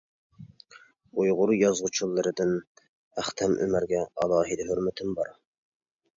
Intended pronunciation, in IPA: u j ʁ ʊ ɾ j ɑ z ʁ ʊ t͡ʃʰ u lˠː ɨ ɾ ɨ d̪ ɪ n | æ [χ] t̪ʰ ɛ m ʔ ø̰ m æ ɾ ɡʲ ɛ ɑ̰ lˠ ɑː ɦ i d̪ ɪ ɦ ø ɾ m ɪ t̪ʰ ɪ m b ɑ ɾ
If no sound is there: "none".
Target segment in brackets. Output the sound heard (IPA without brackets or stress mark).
χ